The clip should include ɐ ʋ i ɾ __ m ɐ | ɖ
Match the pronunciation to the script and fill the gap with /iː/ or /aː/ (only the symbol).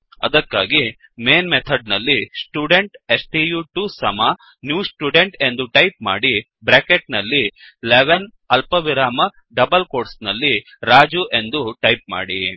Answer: aː